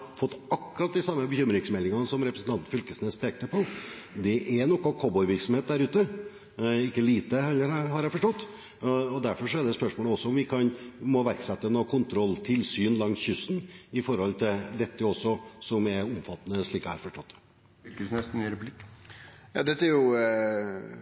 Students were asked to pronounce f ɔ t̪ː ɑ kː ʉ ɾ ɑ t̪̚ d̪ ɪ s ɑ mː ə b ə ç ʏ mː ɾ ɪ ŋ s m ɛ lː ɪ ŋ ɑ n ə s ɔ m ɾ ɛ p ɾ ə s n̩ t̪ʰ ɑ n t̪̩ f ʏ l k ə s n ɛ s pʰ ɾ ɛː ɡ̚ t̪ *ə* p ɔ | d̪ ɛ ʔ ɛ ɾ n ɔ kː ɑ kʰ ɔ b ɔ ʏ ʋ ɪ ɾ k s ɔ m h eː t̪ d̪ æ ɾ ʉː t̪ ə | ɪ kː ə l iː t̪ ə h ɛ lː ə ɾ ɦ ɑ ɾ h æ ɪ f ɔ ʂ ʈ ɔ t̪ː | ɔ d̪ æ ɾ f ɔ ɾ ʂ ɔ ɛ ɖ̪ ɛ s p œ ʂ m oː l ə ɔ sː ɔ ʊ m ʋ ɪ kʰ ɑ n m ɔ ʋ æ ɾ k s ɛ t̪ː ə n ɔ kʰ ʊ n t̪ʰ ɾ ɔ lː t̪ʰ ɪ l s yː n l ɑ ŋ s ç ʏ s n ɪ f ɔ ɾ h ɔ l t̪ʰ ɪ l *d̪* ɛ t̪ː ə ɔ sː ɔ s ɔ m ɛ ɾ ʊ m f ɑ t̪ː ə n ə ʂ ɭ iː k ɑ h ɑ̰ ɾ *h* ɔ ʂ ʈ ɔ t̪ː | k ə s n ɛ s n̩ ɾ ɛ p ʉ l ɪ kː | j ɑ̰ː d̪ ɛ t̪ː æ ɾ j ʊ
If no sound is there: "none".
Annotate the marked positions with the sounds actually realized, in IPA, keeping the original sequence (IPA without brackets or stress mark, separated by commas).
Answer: ə, d̪, f